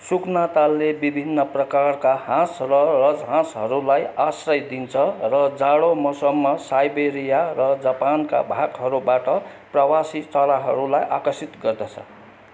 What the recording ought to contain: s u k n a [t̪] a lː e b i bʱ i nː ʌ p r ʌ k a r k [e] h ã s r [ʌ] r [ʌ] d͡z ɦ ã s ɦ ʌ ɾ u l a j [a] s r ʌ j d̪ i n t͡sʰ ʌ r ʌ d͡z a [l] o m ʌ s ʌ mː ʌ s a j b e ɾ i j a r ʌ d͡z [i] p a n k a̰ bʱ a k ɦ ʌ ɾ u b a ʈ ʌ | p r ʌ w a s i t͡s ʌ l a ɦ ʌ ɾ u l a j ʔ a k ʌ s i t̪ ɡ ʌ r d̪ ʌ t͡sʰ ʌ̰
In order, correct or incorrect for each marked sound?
correct, incorrect, correct, correct, correct, incorrect, incorrect

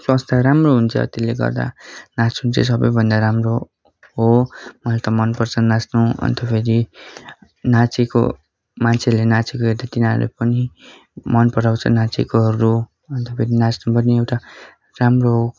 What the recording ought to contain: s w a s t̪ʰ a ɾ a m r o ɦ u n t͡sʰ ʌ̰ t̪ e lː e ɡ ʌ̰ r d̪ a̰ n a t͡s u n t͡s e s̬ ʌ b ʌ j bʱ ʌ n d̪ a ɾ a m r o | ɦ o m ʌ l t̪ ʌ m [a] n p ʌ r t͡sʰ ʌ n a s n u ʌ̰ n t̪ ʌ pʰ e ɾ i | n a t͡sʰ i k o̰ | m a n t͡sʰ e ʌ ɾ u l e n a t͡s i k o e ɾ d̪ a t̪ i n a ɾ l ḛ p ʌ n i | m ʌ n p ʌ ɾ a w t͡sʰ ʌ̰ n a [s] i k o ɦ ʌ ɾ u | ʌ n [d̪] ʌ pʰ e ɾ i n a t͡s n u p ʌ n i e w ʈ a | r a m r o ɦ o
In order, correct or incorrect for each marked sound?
incorrect, incorrect, incorrect

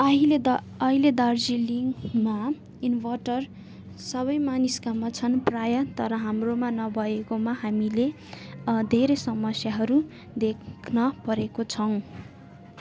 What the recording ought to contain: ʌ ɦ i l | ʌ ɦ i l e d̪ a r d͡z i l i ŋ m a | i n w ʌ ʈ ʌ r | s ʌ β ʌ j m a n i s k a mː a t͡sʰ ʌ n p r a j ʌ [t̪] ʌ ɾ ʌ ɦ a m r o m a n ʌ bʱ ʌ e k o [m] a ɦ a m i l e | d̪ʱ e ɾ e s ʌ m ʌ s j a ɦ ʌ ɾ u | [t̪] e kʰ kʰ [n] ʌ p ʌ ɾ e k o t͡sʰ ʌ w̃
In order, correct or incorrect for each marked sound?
correct, correct, incorrect, correct

